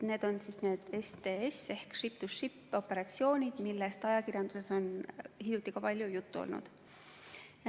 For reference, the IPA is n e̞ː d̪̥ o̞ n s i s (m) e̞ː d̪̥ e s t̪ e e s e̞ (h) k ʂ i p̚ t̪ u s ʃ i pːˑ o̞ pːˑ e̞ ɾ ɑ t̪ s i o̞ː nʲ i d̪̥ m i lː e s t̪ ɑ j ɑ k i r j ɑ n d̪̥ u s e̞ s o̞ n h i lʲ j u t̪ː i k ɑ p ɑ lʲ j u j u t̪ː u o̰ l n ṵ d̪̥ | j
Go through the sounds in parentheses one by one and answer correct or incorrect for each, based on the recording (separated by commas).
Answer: incorrect, correct